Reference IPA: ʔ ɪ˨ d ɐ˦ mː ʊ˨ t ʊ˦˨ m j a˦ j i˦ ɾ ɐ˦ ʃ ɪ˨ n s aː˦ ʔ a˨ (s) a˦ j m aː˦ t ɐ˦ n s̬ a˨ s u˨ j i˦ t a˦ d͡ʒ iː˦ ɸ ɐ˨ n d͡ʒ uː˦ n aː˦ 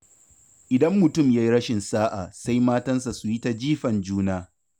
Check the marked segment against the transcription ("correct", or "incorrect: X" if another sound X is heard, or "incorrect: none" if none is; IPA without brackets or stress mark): correct